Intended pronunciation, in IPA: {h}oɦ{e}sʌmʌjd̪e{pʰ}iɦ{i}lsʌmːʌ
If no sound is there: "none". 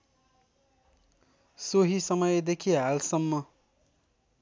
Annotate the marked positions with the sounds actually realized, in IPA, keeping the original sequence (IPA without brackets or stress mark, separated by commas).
s, i, kʰ, a